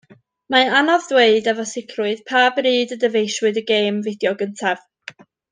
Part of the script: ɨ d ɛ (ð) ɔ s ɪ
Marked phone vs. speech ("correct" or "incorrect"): incorrect